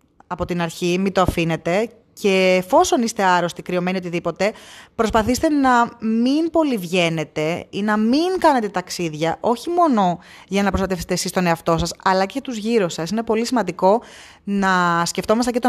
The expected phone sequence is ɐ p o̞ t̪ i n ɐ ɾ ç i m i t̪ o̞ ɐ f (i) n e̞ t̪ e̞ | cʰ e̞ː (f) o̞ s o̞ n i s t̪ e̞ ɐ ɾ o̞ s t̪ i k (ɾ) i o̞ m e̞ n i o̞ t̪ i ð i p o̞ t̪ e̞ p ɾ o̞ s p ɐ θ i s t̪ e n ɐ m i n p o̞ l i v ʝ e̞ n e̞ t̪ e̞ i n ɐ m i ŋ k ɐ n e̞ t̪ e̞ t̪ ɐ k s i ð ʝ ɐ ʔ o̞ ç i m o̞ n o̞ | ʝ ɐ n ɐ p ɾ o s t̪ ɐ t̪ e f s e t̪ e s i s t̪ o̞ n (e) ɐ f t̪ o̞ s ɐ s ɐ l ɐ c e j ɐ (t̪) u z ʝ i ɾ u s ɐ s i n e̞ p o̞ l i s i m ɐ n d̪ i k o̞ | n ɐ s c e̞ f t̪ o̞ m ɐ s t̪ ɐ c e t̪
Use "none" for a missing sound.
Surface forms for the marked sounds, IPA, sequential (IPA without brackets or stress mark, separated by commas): i, f, ɾ, e, t̪